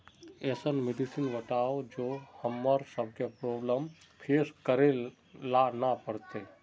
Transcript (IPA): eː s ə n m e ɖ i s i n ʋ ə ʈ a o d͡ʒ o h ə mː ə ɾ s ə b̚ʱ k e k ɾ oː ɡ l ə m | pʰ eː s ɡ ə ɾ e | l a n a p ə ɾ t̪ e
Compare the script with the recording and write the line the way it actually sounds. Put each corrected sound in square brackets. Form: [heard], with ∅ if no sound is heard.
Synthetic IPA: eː s ə n m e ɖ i s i n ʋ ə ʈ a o d͡ʒ o h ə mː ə ɾ s ə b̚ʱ k e [p] ɾ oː [b] l ə m | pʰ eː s [k] ə ɾ e | l a n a p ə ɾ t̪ e

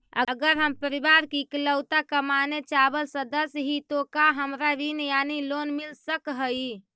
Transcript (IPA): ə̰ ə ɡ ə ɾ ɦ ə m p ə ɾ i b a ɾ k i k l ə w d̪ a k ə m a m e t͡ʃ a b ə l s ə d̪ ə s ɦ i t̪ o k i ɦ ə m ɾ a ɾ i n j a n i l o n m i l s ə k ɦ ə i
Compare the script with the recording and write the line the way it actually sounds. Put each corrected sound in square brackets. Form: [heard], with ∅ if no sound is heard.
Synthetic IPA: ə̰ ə ɡ ə ɾ ɦ ə m p ə ɾ i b a ɾ k i k l ə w [t̪] a k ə m a [n] e t͡ʃ a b ə l s ə d̪ ə s ɦ i t̪ o k [a] ɦ ə m ɾ a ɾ i n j a n i l o n m i l s ə k ɦ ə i

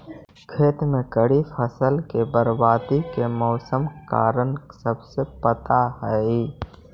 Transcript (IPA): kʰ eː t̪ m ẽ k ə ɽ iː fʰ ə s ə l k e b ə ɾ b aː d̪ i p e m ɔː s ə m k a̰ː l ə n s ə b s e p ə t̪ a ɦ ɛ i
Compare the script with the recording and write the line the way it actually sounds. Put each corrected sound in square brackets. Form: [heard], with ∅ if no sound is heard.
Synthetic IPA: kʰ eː t̪ m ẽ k ə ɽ [i] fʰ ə s ə l k e b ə ɾ b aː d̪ i [k] e m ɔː s ə m k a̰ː [ɾ] ə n s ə b s e p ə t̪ a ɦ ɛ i

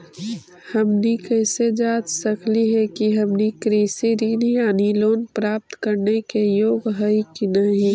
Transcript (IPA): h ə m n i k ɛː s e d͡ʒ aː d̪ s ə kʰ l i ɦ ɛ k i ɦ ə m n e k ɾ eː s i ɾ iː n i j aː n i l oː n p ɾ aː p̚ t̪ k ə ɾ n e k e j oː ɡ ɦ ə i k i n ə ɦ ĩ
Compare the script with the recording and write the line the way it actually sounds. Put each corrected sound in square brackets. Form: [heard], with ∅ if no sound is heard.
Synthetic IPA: h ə m n i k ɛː s e d͡ʒ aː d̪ s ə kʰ l i ɦ ɛ k i ɦ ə m n [i] k ɾ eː s i ɾ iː n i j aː n i l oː n p ɾ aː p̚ t̪ k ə ɾ n e k e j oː ɡ ɦ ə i k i n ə ɦ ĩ

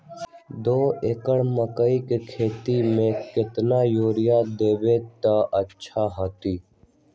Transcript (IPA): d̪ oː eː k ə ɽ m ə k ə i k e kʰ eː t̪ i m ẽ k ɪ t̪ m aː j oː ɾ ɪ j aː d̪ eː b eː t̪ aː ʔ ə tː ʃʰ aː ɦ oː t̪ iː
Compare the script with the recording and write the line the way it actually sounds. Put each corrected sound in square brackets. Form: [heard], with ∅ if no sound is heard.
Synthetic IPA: d̪ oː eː k ə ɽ m ə k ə i k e kʰ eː t̪ i m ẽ k ɪ t̪ [n] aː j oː ɾ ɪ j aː d̪ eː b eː t̪ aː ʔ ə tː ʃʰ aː ɦ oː t̪ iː

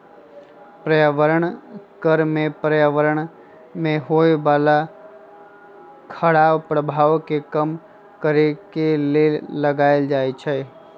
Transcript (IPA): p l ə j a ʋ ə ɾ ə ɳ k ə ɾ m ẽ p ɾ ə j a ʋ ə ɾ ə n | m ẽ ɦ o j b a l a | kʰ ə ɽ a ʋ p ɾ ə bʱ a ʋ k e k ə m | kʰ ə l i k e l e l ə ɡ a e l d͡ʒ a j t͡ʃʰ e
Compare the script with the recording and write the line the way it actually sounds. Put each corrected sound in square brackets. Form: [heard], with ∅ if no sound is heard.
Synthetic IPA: p [ɾ] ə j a ʋ ə ɾ ə ɳ k ə ɾ m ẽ p ɾ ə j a ʋ ə ɾ ə [ɳ] | m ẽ ɦ o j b a l a | kʰ ə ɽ a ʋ p ɾ ə bʱ a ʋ k e k ə m | [k] ə [ɾ] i k e l e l ə ɡ a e l d͡ʒ a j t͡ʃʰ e

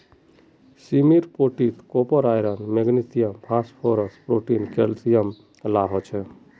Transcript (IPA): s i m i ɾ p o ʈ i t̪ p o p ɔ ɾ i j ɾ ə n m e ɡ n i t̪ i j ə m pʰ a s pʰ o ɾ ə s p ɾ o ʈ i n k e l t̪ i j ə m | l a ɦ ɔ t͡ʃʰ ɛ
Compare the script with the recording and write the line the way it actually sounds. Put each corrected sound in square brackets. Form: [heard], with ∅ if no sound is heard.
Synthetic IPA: s i m i ɾ p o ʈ i t̪ [k] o p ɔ ɾ [a] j ɾ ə n m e ɡ n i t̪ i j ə m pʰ a s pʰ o ɾ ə s p ɾ o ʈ i n k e l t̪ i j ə m | l a ɦ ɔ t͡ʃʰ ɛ

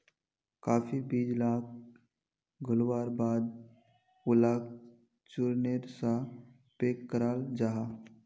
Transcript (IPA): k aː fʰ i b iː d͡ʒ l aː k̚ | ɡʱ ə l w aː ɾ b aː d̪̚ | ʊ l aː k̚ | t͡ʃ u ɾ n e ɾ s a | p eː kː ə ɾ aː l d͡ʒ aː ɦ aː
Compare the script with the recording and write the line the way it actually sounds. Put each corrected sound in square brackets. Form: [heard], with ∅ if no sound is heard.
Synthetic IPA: k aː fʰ i b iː d͡ʒ l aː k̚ | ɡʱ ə l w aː ɾ b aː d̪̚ | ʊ l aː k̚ | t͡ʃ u ɾ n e ɾ s a | p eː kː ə ɾ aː l d͡ʒ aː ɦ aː

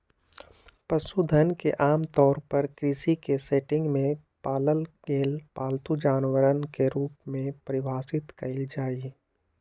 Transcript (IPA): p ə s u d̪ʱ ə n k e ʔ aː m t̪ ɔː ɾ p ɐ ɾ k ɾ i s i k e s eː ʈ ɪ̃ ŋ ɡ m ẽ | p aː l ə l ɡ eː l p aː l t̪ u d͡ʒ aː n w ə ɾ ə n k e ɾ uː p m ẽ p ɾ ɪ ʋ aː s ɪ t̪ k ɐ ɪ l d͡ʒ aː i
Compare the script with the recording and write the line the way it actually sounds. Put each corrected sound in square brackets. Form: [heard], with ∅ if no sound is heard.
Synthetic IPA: p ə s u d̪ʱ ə n k e ʔ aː m t̪ ɔː ɾ p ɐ ɾ k ɾ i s i k e s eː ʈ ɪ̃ ŋ ɡ m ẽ | p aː l ə l ɡ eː l p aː l t̪ u d͡ʒ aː n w ə ɾ ə n k e ɾ uː p m ẽ p ɾ ɪ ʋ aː s ɪ t̪ k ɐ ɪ l d͡ʒ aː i

